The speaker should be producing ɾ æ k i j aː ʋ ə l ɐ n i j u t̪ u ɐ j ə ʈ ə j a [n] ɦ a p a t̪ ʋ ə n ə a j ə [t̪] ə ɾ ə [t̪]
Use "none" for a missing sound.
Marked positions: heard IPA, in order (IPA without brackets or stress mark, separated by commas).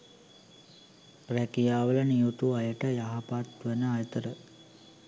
none, t̪, none